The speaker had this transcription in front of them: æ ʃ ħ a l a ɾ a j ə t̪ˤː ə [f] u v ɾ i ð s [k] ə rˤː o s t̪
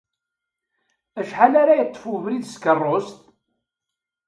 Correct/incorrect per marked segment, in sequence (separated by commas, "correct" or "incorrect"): correct, correct